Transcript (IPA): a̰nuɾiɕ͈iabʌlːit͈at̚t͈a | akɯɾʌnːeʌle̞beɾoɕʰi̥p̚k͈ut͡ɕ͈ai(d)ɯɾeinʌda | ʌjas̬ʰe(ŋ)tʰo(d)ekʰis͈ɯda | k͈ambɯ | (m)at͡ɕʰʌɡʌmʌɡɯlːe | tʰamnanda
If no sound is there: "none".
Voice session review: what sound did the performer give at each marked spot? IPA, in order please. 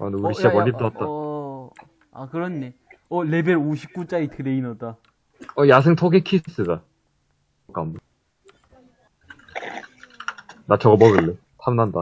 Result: t, ŋ, ɡ, n

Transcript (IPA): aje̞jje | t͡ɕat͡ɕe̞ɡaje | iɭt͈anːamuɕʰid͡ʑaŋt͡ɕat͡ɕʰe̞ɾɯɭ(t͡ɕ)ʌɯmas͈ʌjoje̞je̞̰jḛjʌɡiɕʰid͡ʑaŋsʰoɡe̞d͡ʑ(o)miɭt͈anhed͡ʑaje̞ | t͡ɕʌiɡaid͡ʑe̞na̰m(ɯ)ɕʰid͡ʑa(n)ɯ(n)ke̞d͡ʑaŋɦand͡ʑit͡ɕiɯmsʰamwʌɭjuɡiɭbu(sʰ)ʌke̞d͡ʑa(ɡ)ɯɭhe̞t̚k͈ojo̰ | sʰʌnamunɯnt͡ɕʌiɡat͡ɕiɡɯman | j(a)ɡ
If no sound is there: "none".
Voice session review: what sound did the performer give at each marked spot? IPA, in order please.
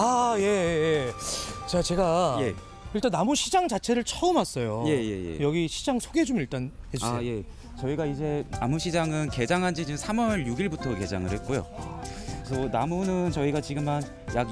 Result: t͡ɕʰ, o, u, ŋ, n, tʰ, ŋ, a

